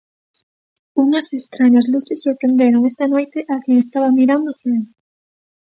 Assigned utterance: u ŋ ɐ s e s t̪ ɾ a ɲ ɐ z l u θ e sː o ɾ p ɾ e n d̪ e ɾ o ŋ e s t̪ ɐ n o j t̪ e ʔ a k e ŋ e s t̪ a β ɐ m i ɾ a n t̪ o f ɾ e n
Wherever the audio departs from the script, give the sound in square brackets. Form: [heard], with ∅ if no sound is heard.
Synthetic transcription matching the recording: u ŋ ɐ s e s t̪ ɾ a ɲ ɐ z l u θ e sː o ɾ p ɾ e n d̪ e ɾ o ŋ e s t̪ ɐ n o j t̪ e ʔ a k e ŋ e s t̪ a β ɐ m i ɾ a n [d̪] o f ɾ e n